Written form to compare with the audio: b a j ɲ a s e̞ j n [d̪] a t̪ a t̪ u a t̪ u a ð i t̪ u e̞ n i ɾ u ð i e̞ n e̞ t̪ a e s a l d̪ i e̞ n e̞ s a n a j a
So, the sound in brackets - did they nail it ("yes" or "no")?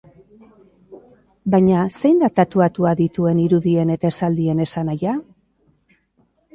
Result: yes